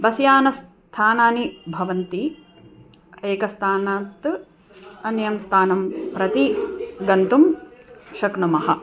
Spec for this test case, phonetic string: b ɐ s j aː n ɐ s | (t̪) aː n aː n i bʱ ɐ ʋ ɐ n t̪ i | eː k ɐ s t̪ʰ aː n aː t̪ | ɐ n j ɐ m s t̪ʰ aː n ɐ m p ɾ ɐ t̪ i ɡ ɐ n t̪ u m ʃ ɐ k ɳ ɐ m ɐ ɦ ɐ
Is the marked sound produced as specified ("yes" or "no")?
no